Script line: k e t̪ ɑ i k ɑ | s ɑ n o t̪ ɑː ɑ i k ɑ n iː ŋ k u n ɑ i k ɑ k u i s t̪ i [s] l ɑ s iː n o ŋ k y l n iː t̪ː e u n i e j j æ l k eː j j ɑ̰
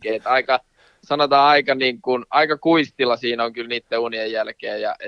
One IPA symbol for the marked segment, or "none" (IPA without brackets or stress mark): none